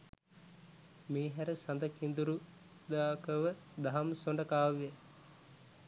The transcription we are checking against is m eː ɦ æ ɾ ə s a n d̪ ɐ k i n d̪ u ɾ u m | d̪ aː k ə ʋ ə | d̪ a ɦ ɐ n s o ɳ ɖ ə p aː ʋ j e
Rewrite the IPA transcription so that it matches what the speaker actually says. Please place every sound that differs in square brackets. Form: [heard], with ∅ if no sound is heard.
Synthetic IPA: m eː ɦ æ ɾ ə s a n d̪ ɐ k i n d̪ u ɾ u [∅] | d̪ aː k ə ʋ ə | d̪ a ɦ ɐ [m] s o ɳ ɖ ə [k] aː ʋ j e